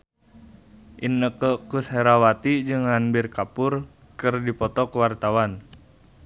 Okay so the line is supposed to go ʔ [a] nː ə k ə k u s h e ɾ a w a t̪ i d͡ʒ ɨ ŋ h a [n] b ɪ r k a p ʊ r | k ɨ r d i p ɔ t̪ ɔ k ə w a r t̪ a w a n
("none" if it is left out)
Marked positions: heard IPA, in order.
i, n

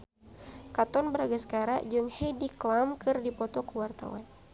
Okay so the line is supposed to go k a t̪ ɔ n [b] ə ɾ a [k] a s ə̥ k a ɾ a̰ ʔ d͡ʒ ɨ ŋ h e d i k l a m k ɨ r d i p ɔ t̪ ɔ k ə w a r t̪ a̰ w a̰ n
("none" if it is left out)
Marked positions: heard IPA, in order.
b, ɡ

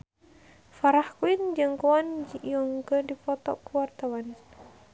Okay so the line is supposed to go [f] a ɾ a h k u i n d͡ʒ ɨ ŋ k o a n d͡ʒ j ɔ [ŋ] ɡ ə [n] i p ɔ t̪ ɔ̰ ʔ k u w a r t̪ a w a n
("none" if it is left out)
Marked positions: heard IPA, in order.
f, ŋ, d

